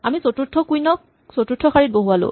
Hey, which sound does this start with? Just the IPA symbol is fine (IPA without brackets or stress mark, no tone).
a